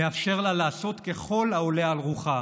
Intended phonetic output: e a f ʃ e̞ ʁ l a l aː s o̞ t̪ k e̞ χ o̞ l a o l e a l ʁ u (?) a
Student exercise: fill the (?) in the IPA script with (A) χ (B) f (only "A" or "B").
A